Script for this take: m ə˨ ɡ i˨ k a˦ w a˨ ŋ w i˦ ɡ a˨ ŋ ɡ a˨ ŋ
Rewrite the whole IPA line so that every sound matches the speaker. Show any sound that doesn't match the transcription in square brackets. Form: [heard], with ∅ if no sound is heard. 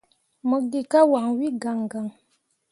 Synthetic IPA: m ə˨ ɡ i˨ k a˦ w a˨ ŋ w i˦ ɡ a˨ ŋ ɡ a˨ ŋ